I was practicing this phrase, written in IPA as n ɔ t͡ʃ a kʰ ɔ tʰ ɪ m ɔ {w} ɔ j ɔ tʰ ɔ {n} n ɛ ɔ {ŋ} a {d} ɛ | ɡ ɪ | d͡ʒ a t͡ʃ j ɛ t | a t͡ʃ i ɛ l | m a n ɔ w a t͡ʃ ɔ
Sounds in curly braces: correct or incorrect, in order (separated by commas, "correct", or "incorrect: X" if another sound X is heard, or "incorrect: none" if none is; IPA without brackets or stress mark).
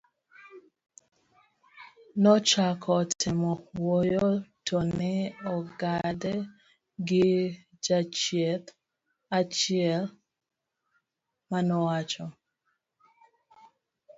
correct, correct, incorrect: ɡ, correct